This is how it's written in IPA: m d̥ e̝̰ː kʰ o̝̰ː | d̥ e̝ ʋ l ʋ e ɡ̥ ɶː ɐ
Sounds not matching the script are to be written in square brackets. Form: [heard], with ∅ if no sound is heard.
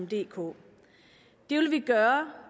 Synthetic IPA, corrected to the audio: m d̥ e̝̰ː kʰ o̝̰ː | d̥ e̝ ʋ l ʋ [i] ɡ̥ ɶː ɐ